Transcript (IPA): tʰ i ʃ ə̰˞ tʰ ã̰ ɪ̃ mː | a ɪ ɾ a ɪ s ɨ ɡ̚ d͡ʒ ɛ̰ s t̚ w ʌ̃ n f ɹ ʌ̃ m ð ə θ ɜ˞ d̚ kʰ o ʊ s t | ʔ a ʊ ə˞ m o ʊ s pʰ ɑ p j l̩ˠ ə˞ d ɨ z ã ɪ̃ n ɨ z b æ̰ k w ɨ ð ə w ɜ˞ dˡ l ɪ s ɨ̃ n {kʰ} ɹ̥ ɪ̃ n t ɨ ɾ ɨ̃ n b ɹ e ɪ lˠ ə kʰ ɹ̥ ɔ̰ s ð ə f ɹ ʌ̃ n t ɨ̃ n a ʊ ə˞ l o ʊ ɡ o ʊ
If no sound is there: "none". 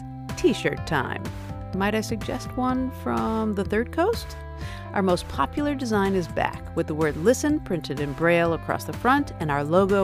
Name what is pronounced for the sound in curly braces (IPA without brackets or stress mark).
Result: pʰ